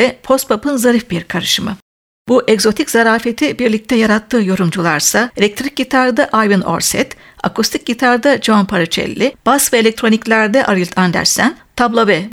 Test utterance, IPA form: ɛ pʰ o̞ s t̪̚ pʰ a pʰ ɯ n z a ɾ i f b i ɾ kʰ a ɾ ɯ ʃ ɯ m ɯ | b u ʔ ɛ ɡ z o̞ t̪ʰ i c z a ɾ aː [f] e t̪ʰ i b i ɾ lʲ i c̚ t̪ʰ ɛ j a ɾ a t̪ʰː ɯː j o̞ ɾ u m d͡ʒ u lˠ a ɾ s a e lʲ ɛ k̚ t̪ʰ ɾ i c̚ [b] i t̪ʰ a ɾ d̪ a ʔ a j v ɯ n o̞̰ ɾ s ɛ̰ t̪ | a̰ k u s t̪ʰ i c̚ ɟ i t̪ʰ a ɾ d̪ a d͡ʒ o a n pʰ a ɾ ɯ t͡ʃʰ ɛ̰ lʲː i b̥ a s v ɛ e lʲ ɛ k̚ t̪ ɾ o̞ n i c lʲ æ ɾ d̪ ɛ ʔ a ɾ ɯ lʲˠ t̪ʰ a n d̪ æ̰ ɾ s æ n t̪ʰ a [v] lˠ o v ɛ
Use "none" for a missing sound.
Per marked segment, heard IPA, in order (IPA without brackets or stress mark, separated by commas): f, ɟ, b